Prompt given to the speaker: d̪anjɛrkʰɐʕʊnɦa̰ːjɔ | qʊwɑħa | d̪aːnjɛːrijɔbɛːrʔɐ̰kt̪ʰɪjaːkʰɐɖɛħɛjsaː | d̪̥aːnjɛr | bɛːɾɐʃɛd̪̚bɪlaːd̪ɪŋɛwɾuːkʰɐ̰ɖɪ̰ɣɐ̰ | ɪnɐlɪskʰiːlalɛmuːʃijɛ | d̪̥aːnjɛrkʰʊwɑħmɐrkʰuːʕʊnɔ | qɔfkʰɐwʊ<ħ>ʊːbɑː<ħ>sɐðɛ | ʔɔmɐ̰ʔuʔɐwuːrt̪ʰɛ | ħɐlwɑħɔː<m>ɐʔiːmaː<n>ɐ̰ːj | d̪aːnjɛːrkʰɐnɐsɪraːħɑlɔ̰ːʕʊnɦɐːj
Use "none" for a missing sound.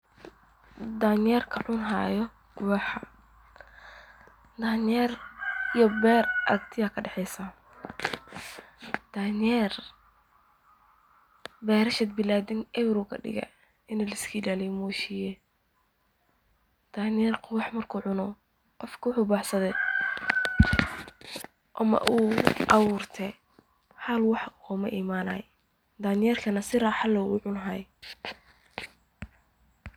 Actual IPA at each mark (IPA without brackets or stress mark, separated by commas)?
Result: ħ, ħ, m, n